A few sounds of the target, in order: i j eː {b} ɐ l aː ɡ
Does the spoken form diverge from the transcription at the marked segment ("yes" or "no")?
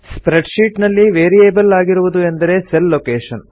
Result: no